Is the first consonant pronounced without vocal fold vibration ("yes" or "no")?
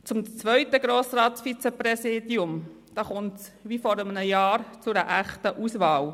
yes